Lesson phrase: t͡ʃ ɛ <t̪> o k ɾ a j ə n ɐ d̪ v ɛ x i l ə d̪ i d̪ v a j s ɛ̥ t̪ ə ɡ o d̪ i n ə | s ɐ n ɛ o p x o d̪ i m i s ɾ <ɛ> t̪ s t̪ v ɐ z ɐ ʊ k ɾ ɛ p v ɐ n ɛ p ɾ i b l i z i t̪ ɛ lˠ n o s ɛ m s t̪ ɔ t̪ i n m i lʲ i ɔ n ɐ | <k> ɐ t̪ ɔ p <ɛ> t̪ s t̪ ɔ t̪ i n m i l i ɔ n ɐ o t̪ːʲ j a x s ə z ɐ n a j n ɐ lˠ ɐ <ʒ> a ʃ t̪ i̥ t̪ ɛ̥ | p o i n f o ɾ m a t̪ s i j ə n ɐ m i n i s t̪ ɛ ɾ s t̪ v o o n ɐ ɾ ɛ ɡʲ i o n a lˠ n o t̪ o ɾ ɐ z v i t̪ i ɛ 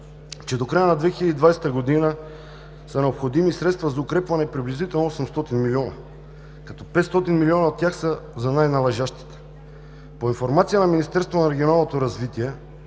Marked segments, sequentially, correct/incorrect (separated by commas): incorrect, correct, correct, correct, correct